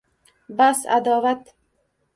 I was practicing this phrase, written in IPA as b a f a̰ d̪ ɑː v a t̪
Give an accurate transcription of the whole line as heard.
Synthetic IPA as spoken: b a s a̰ d̪ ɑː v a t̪

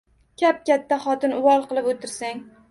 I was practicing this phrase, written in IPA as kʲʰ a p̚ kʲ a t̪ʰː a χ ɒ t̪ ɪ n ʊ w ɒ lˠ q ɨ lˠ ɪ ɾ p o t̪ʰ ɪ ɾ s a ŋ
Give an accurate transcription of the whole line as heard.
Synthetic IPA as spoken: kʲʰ a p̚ kʲ a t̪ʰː a χ ɒ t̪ ɪ n ʊ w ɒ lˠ q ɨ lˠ ɪ p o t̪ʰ ɪ ɾ s a ŋ

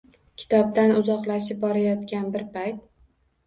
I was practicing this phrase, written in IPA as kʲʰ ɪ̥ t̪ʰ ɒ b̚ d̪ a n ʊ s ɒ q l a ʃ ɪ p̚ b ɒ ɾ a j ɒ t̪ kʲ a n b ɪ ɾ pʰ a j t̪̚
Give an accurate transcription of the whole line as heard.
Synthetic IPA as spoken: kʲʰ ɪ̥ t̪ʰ ɒ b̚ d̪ a n ʊ z ɒ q l a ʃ ɪ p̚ b ɒ ɾ a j ɒ t̪ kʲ a n b ɪ ɾ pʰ a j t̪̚

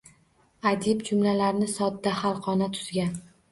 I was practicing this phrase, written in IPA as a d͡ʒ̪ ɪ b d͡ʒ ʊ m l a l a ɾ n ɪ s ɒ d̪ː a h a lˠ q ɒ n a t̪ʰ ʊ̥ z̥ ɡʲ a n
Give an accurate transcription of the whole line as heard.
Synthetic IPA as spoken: a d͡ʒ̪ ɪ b d͡ʒ ʊ m l a l a ɾ n ɪ s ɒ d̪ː a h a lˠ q ɒ n a t̪ʰ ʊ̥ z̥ ɡʲ a n

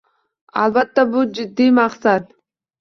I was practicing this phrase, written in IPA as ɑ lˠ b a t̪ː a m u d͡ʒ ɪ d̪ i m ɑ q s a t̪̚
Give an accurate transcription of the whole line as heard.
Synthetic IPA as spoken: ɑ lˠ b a t̪ː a b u d͡ʒ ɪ d̪ː i m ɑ q s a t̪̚

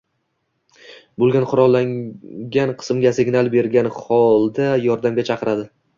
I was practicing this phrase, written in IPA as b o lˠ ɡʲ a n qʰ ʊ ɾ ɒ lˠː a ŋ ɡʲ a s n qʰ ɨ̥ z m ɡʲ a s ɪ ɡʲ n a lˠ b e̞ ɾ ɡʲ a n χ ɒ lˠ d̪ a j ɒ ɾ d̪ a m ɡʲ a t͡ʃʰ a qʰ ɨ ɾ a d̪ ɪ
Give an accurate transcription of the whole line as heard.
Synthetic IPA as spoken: b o lˠ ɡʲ a n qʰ ʊ ɾ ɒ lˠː a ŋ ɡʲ a n qʰ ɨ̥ s m ɡʲ a s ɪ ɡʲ n a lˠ b e̞ ɾ ɡʲ a n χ ɒ lˠ d̪ a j ɒ ɾ d̪ a m ɡʲ a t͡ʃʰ ɑ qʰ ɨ ɾ a d̪ ɪ

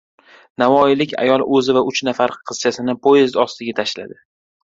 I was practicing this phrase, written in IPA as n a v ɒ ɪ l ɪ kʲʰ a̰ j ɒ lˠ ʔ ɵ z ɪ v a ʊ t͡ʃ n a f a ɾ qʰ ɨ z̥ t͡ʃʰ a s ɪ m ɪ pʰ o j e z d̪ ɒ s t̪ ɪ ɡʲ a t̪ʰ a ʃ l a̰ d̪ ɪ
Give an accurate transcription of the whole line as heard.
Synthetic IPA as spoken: n a v ɒ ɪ l ɪ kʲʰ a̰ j ɒ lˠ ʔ ɵ z ɪ v a ʊ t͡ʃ n a f a ɾ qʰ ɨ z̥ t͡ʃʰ a s ɪ n ɪ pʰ o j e z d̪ ɒ s t̪ ɪ ɡʲ a t̪ʰ a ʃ l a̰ d̪ ɪ

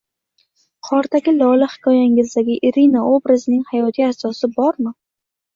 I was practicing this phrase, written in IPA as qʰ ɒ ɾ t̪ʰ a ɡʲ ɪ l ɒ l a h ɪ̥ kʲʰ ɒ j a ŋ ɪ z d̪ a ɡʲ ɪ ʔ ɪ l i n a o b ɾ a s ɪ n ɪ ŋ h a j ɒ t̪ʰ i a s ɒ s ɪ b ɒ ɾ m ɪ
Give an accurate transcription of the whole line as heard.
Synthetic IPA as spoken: qʰ ɒ ɾ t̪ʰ a ɡʲ ɪ l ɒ l a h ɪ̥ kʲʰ ɒ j a ŋ ɪ z d̪ a ɡʲ ɪ ʔ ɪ ɾ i n a o b ɾ a z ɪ n ɪ ŋ h a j ɒ t̪ʰ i a s ɒ s ɪ b ɒ ɾ m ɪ

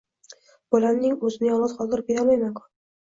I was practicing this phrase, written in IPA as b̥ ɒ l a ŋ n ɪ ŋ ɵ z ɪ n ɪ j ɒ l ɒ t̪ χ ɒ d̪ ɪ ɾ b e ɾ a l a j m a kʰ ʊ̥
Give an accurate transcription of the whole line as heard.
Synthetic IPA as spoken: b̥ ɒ l a m n ɪ ŋ ɵ z ɪ n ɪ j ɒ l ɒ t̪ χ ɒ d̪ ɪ ɾ b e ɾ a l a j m a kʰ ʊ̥

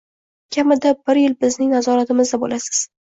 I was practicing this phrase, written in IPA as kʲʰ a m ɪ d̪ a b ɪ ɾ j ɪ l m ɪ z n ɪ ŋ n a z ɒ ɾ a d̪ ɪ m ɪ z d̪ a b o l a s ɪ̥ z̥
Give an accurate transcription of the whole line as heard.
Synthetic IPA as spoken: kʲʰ a m ɪ d̪ a b ɪ ɾ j ɪ l b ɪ z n ɪ ŋ n a z ɒ ɾ a t̪ ɪ m ɪ z d̪ a b o l a s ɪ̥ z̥

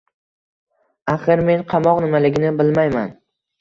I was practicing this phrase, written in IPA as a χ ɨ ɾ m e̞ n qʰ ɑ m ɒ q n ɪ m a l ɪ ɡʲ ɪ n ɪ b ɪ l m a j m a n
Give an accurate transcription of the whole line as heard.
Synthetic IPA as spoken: a χ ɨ ɾ m e̞ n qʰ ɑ m ɒ q n ɪ m a l ɪ ɡʲ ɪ n ɪ b ɪ l m a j m a n

